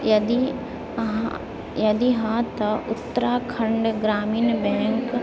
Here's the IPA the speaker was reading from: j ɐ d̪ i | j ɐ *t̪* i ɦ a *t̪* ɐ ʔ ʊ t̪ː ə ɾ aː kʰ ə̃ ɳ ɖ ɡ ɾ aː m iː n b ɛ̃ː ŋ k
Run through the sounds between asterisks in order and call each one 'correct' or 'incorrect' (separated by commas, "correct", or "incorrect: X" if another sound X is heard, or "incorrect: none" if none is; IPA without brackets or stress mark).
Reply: incorrect: d̪, correct